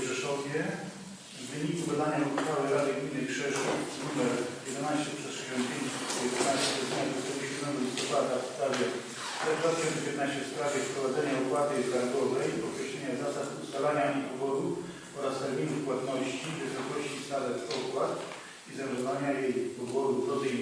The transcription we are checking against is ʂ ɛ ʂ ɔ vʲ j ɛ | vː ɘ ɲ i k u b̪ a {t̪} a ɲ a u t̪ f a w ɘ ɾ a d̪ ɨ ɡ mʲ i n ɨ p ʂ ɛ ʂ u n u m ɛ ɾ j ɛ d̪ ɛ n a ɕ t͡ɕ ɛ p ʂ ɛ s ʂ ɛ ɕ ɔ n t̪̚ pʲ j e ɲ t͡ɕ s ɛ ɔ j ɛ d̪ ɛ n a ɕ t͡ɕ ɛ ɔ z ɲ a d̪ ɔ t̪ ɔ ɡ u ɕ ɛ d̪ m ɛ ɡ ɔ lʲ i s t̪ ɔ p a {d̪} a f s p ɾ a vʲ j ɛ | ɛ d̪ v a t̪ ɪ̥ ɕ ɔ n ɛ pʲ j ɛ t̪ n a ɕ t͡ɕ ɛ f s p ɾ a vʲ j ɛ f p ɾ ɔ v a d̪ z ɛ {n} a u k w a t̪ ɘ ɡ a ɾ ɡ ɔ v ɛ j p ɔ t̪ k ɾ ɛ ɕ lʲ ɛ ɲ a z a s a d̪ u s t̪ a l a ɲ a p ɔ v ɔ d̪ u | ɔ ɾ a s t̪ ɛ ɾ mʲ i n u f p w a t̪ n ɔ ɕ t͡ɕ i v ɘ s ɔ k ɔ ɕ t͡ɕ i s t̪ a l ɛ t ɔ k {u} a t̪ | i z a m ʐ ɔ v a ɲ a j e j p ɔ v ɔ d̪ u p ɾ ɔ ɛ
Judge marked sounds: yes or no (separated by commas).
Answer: no, yes, no, no